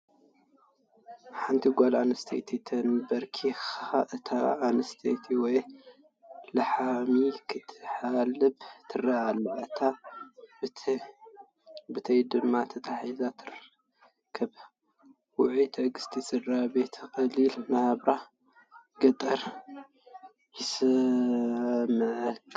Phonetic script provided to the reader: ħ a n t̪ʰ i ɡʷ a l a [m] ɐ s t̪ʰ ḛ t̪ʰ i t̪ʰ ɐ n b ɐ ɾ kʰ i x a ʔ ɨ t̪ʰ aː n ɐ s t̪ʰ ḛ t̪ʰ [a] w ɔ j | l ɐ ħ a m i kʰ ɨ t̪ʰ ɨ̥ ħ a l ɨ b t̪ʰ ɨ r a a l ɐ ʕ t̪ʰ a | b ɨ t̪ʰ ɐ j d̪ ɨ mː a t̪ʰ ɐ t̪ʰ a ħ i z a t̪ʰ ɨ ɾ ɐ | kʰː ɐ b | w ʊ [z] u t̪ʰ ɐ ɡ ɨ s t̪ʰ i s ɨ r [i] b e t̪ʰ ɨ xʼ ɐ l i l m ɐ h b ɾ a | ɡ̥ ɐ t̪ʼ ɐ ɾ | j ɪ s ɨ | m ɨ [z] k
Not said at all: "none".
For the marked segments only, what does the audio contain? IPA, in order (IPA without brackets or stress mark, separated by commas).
n, i, ʕ, a, ʕ